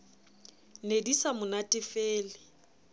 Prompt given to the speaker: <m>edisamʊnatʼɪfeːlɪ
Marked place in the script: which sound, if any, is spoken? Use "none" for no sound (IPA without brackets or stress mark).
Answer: n